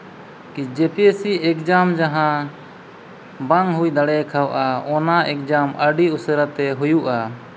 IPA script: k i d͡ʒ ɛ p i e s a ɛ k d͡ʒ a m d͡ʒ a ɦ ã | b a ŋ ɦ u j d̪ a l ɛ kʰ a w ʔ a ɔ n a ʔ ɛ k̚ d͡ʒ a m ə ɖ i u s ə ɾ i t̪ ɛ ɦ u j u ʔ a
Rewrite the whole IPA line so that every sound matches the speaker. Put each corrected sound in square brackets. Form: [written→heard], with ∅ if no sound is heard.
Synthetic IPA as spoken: k i d͡ʒ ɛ p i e s [a→i] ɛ k d͡ʒ a m d͡ʒ a ɦ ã | b a ŋ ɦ u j d̪ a [l→ɽ] ɛ kʰ a w ʔ a ɔ n a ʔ ɛ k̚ d͡ʒ a m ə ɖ i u s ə ɾ [i→a] t̪ ɛ ɦ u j u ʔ a

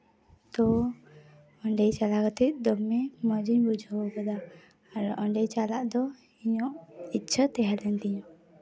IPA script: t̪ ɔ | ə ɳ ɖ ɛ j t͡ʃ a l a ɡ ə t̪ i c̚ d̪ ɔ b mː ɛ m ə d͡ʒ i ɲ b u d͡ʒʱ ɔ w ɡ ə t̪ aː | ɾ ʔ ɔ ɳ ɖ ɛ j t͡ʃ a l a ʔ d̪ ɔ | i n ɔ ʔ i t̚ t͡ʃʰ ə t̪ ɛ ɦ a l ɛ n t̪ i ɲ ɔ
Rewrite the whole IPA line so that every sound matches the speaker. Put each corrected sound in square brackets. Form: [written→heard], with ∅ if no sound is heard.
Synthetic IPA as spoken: t̪ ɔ | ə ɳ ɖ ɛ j t͡ʃ a l a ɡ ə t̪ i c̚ d̪ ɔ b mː ɛ m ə d͡ʒ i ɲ b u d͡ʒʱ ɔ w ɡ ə [t̪→d̪] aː | ɾ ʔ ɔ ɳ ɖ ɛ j t͡ʃ a l a ʔ d̪ ɔ | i [n→ɲ] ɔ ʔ i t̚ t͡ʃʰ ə t̪ ɛ ɦ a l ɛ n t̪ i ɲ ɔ

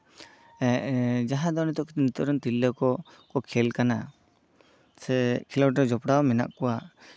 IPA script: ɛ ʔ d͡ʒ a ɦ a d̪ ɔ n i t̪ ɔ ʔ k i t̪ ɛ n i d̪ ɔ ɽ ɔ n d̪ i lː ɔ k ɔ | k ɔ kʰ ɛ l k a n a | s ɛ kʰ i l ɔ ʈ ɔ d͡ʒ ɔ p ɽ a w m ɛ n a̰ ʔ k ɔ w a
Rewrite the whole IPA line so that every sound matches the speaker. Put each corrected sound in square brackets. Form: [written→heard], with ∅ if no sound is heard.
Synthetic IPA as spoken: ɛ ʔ d͡ʒ a ɦ a d̪ ɔ n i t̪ ɔ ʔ k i t̪ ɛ n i [d̪→t̪] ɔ [ɽ→ɾ] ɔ n [d̪→t̪] i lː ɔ k ɔ | k ɔ kʰ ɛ l k a n a | s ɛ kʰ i l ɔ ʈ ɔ d͡ʒ ɔ p ɽ a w m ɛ n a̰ ʔ k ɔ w a

